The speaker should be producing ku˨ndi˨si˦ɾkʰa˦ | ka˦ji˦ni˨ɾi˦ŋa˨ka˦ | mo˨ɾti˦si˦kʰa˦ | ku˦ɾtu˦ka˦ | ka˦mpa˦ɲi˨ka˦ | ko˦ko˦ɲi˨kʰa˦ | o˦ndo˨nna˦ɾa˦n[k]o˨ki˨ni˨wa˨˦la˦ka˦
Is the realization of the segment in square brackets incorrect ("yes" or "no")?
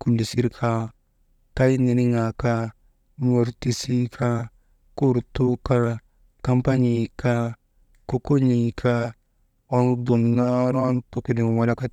yes